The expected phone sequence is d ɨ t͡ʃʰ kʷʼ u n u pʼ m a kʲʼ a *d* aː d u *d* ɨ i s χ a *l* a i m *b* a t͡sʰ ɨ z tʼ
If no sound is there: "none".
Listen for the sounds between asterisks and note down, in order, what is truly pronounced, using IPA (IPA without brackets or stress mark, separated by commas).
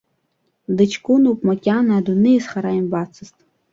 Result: n, n, ɾ, b